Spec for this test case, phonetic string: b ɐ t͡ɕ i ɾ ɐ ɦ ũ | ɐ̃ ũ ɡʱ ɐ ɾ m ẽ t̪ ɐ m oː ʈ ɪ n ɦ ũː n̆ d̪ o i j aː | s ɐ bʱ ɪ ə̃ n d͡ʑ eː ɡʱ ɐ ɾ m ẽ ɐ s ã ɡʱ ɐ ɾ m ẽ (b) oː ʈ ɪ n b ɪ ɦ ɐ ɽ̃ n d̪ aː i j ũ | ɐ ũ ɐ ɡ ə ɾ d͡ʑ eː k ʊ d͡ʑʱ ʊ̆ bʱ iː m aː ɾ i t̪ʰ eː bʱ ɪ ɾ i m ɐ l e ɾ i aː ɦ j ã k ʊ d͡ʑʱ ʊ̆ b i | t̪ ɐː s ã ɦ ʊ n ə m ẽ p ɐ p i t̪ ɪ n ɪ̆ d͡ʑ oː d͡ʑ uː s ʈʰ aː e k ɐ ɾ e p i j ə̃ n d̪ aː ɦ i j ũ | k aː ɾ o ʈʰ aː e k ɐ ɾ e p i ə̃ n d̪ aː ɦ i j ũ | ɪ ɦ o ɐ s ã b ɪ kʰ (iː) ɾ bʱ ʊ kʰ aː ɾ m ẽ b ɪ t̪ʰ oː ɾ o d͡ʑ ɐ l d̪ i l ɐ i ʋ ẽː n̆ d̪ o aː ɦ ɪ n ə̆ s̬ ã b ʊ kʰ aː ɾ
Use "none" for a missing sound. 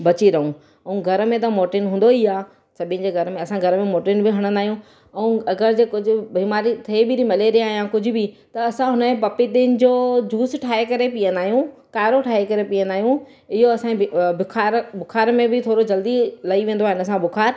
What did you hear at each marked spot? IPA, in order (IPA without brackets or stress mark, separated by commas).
m, aː